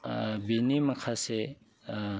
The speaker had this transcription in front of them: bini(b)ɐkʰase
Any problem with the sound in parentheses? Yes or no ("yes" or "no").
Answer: yes